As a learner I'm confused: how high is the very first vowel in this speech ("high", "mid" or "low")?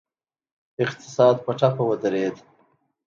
high